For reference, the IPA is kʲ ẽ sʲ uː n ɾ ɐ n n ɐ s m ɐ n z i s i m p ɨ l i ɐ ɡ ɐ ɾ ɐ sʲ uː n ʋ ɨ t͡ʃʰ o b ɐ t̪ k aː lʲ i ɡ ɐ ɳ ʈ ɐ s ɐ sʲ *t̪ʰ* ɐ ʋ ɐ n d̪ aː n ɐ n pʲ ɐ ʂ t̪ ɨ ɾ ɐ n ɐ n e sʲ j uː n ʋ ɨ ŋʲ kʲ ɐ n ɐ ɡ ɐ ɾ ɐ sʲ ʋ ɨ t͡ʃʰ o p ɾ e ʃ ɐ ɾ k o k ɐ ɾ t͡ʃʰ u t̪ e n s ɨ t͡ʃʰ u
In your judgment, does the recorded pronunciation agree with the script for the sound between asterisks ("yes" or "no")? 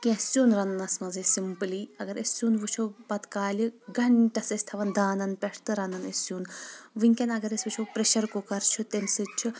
yes